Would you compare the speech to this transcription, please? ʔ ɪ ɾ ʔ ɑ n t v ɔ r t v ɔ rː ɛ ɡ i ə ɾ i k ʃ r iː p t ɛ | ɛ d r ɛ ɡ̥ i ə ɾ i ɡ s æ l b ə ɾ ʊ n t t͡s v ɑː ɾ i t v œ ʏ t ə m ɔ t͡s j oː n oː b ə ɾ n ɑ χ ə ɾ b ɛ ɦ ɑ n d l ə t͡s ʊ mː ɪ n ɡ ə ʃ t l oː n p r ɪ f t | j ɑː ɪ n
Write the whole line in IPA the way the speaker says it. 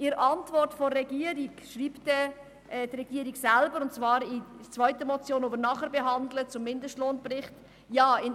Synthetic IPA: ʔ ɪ ɾ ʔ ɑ n t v ɔ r t f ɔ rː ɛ ɡ i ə ɾ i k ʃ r iː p t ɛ | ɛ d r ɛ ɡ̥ i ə ɾ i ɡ s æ l b ə ɾ ʊ n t t͡s v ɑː ɾ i t͡s v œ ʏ t ə m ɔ t͡s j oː n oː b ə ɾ n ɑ χ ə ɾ b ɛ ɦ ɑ n d l ə t͡s ʊ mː ɪ n d ə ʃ t l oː n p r ɪ χ t | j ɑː ɪ n

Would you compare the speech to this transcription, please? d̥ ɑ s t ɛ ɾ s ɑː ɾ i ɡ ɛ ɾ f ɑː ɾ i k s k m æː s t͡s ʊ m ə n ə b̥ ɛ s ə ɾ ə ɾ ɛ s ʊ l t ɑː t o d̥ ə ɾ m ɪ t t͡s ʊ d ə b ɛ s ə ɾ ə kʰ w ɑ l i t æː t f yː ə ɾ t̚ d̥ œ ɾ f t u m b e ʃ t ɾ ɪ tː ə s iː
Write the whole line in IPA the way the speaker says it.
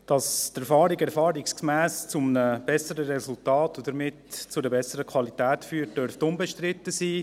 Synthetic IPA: d̥ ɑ s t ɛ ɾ f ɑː ɾ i ɡ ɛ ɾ f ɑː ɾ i k s k m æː s t͡s ʊ m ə n ə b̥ ɛ s ə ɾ ə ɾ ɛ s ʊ l t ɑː t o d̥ ə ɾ m ɪ t t͡s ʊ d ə b ɛ s ə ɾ ə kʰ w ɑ l i t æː t f yː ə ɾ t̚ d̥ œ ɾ f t ʊ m b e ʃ t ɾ ɪ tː ə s iː

